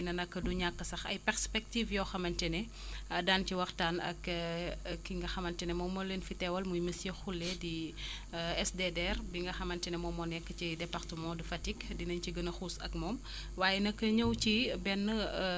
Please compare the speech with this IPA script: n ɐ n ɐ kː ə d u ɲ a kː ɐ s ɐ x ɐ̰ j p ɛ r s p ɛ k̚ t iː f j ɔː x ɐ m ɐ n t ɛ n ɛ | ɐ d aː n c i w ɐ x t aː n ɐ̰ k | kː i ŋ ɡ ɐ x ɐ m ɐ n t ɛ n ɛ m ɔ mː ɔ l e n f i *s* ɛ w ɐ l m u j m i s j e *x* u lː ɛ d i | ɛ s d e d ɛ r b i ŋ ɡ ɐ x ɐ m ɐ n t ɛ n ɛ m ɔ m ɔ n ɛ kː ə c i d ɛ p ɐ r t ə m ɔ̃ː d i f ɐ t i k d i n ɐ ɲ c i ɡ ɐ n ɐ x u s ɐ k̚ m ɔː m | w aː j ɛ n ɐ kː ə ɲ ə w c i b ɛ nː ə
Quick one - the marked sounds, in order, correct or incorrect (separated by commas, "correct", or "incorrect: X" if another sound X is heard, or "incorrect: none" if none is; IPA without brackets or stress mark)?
incorrect: t, correct